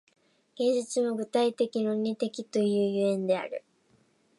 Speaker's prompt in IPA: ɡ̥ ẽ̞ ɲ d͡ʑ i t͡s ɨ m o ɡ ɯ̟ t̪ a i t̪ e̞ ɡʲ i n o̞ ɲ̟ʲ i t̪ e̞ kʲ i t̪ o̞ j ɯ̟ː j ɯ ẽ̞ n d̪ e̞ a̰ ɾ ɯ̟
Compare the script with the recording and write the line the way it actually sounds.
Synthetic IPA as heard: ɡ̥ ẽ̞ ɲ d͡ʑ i t͡s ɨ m o ɡ ɯ̟ t̪ a i t̪ e̞ kʲ i n o̞ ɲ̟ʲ i t̪ e̞ kʲ i t̪ o̞ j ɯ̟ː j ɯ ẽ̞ n d̪ e̞ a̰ ɾ ɯ̟